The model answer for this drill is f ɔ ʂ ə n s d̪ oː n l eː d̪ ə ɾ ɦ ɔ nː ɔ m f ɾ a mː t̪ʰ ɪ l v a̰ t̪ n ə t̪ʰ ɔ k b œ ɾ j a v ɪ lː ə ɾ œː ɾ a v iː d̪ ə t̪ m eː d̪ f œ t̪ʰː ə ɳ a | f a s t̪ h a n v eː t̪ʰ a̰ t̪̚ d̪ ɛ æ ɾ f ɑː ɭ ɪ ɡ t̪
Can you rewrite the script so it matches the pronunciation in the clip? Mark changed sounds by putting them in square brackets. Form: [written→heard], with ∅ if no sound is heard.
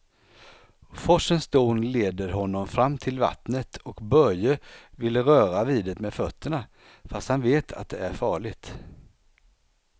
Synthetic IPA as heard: f ɔ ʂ ə n s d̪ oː n l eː d̪ ə ɾ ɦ ɔ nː ɔ m f ɾ a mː t̪ʰ ɪ l v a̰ t̪ n ə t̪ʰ ɔ k b œ ɾ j [a→ə] v ɪ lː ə ɾ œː ɾ a v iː d̪ ə t̪ m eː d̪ f œ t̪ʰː ə ɳ a | f a s t̪ h a n v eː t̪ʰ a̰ t̪̚ d̪ ɛ æ ɾ f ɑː ɭ ɪ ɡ t̪